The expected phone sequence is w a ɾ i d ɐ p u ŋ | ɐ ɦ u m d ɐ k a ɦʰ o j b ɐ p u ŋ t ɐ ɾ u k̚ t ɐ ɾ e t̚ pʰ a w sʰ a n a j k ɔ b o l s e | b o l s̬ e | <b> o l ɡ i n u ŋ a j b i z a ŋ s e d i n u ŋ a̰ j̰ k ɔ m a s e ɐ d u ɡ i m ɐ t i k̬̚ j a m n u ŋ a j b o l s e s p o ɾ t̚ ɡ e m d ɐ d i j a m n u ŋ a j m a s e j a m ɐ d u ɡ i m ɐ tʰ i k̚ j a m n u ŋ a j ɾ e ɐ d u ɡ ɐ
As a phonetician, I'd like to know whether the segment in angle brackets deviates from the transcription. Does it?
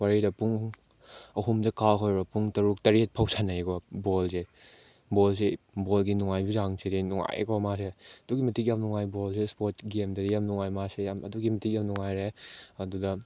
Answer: no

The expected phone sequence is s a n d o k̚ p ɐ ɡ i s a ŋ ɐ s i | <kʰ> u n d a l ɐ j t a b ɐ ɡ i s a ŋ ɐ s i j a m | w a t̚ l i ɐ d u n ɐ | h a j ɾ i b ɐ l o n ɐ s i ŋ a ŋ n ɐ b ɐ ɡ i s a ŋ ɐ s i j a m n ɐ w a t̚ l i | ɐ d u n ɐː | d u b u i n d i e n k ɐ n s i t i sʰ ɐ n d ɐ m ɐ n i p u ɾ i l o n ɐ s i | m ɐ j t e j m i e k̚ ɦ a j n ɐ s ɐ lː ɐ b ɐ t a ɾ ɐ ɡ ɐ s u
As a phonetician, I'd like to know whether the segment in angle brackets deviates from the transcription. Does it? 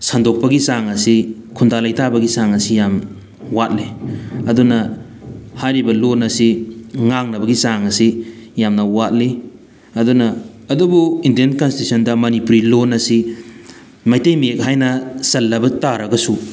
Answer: no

